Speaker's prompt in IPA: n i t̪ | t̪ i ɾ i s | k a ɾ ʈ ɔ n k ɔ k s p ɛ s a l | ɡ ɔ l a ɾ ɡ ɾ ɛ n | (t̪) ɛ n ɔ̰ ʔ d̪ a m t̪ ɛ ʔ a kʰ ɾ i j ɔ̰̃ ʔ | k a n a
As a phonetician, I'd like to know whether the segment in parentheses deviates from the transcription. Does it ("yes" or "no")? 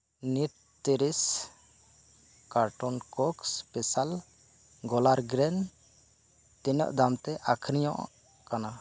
no